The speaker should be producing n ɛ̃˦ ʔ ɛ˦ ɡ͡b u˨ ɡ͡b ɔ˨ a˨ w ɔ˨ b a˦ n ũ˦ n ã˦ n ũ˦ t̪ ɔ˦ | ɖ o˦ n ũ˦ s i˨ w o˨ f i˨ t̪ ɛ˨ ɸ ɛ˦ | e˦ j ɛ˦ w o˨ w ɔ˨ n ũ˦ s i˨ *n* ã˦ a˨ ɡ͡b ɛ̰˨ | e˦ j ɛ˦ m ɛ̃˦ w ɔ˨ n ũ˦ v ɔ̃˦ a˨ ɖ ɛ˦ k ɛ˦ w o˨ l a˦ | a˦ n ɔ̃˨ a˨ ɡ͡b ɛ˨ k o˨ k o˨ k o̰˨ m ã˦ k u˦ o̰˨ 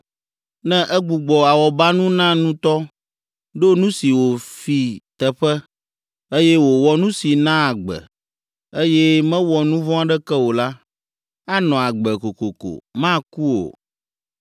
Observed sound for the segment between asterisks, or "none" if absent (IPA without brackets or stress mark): n